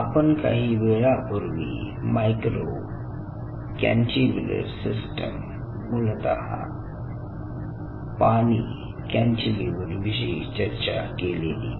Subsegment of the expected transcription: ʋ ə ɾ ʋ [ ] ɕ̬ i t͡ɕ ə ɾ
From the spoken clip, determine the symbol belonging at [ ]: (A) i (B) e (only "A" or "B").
A